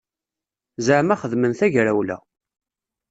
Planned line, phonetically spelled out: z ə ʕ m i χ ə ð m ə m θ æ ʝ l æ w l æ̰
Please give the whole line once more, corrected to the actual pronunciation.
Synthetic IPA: z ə ʕ m æ χ ə ð m ə n θ æ ʝ ɾ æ w l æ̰